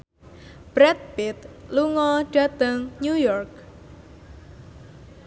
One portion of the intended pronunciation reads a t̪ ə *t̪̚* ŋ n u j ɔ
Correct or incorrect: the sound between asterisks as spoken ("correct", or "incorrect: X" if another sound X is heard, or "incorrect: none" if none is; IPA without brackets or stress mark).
incorrect: none